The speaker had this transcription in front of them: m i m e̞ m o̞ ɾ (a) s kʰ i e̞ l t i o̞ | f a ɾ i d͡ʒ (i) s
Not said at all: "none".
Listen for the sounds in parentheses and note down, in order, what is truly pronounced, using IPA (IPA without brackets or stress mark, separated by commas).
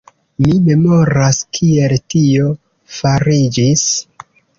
a, i